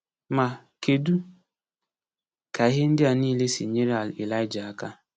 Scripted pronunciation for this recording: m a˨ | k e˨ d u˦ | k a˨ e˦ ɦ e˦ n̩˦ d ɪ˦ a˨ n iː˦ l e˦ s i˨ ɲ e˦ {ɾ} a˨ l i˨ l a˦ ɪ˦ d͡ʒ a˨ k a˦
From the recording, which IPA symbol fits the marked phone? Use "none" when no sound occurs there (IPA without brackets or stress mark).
ɾ